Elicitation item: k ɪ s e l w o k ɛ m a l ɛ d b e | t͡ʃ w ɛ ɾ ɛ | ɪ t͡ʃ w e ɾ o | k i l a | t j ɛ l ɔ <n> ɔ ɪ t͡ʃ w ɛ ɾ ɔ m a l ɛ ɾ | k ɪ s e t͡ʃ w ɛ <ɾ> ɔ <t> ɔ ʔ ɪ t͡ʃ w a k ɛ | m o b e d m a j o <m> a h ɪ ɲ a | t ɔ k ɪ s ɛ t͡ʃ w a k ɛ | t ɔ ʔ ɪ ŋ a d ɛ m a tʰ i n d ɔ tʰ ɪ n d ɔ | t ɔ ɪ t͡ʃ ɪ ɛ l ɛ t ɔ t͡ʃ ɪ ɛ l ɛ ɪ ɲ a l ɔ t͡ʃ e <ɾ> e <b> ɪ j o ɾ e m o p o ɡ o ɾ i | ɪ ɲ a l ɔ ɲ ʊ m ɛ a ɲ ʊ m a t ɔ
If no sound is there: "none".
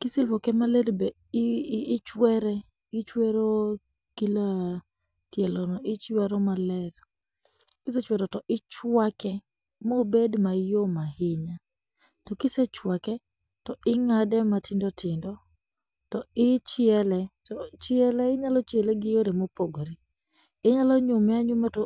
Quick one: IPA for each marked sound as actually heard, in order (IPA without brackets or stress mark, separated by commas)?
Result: n, ɾ, t, m, l, ɡ